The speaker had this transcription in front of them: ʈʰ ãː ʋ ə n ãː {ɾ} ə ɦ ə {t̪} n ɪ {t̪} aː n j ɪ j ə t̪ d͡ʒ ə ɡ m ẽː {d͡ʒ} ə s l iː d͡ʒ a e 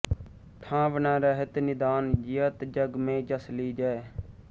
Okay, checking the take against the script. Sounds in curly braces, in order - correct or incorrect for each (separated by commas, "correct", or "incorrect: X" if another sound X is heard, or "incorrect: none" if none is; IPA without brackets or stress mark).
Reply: correct, correct, incorrect: d̪, correct